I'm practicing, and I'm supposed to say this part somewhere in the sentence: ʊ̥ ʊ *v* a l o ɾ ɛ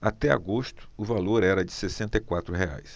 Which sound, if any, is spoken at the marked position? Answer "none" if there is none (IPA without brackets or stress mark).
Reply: v